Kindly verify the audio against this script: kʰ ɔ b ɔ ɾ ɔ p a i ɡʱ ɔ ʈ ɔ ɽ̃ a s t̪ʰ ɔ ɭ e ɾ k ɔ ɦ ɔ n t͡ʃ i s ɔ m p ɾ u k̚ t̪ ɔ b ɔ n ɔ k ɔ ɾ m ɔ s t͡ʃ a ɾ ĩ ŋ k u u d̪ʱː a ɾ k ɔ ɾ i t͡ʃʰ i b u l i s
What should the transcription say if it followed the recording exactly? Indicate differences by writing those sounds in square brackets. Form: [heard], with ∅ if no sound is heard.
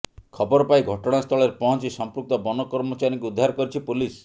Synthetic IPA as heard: kʰ ɔ b ɔ ɾ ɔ p a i ɡʱ ɔ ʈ ɔ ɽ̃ a s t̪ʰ ɔ ɭ e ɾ [p] ɔ ɦ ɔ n t͡ʃ i s ɔ m p ɾ u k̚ t̪ ɔ b ɔ n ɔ k ɔ ɾ m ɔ [∅] t͡ʃ a ɾ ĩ ŋ k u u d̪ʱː a ɾ k ɔ ɾ i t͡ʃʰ i [p] u l i s